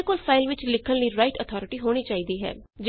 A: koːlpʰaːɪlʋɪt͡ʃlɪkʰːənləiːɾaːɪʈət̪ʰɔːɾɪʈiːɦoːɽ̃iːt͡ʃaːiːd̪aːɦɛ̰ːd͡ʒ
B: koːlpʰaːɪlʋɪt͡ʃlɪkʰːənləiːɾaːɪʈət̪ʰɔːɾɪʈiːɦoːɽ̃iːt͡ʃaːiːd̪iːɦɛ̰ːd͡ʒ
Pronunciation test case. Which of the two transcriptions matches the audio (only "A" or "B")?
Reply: B